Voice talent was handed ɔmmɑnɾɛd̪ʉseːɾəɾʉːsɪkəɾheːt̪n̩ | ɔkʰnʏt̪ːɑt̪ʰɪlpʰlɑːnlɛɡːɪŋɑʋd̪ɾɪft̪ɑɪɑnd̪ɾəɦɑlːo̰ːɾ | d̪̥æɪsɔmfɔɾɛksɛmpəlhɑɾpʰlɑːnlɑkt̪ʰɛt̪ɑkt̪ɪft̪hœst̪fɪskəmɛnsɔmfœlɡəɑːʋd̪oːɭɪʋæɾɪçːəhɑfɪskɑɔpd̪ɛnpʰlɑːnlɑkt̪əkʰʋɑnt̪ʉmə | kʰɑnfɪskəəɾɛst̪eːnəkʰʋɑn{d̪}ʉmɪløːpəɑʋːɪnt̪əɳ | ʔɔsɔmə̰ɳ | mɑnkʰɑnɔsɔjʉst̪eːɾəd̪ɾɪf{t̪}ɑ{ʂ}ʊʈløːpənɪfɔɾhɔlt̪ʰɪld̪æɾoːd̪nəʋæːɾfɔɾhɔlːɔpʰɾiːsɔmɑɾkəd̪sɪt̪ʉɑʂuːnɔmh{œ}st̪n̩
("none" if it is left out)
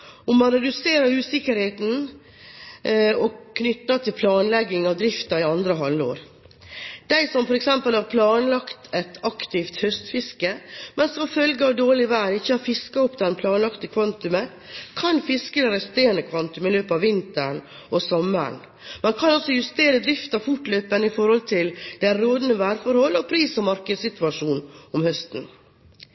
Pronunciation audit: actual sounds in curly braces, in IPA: t̪, t̪, f, œ

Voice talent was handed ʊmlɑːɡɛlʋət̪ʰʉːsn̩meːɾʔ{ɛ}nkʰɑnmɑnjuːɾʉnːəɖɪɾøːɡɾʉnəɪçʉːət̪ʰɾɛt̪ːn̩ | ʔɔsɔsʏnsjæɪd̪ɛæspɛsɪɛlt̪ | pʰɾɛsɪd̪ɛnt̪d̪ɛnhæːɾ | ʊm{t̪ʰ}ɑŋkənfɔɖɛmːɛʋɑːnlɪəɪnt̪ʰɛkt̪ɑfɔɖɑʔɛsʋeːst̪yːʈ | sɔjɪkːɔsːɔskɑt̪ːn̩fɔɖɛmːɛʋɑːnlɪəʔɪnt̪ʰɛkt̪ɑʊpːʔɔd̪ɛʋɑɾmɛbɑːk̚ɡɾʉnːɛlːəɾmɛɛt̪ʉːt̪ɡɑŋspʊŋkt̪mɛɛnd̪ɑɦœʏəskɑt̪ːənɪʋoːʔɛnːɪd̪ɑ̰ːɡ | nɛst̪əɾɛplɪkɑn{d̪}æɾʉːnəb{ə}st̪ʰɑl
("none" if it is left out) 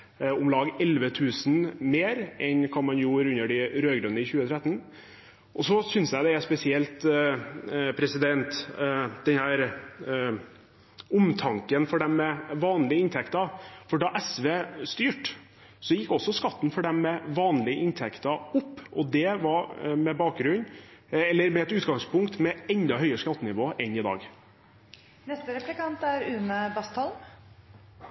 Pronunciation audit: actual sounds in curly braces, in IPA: ɛ, t̪ʰ, t̪, ɑ

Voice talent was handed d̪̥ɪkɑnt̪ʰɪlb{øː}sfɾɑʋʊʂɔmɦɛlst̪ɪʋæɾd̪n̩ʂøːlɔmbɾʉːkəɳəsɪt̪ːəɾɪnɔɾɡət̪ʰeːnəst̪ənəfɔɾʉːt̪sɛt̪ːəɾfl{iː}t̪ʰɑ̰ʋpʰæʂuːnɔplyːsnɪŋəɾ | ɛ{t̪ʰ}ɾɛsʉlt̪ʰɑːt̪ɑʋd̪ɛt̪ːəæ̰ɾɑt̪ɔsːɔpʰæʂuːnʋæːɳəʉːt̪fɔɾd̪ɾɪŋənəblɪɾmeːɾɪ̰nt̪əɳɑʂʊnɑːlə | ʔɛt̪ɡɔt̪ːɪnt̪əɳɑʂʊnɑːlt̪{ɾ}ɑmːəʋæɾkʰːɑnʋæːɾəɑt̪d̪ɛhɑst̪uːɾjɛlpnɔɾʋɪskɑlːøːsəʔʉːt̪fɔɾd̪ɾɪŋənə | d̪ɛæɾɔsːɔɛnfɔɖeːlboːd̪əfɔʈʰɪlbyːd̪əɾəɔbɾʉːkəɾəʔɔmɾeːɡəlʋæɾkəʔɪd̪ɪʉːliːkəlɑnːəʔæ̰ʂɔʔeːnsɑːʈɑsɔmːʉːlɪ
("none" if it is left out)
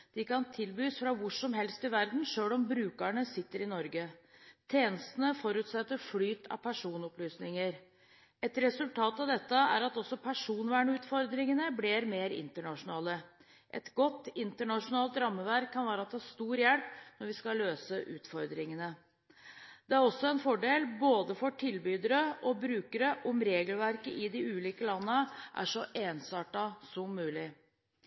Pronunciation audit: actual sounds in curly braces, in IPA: yː, yː, t̪, ɾ

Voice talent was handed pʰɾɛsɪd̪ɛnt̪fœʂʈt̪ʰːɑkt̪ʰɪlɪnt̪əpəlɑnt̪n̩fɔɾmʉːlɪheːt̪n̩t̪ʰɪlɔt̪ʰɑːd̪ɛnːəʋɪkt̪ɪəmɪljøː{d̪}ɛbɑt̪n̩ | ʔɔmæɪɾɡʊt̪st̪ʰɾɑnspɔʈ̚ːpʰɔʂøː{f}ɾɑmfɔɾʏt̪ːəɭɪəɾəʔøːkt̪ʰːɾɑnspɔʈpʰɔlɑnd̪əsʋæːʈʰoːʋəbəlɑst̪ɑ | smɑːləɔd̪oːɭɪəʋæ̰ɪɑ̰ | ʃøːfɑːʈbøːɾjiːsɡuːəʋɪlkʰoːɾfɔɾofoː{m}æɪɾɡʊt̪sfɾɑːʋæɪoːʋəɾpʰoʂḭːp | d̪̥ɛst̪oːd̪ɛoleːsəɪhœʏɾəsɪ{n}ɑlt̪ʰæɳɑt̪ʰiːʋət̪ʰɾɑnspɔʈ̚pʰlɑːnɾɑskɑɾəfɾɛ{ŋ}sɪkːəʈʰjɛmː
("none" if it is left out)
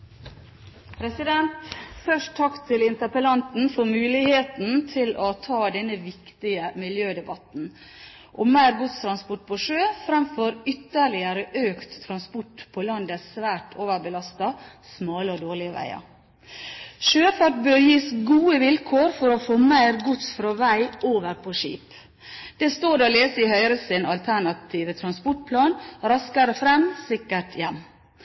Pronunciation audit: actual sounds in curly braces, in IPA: d̪, f, m, n, m

